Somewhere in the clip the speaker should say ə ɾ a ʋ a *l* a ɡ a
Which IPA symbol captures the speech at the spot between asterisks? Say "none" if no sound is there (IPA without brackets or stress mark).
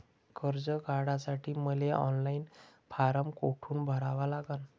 l